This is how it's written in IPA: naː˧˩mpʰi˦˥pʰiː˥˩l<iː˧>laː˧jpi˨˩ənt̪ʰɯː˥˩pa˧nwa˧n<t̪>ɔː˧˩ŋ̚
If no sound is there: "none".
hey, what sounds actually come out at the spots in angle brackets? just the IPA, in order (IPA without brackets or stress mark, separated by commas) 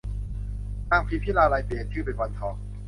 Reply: aː˧, t̪ʰ